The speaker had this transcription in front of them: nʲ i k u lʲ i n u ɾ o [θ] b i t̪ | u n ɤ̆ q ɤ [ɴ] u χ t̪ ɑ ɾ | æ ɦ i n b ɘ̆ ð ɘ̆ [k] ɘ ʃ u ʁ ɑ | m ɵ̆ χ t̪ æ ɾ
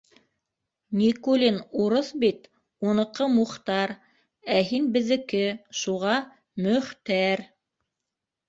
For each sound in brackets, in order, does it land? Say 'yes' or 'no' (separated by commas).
yes, no, yes